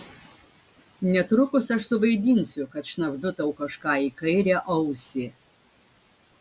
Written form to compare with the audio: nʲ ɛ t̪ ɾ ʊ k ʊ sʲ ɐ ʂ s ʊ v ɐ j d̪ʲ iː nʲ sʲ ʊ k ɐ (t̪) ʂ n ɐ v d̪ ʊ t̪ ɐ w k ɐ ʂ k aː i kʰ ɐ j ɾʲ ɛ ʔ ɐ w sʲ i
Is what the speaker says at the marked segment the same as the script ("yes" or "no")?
yes